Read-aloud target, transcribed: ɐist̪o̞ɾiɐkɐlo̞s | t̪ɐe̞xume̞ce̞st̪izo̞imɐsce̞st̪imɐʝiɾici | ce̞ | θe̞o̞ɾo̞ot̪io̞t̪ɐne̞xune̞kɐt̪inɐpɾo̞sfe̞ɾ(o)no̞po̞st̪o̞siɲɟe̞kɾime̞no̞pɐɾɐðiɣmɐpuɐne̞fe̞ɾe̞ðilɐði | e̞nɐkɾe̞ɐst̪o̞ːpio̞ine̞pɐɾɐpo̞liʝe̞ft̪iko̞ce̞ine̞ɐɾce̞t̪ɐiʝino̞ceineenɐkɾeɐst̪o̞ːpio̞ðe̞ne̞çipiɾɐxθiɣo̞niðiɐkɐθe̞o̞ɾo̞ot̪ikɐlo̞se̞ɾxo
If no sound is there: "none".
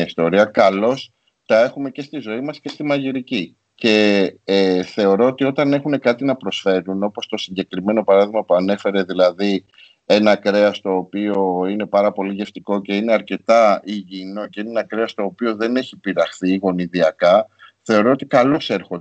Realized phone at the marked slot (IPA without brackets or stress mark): u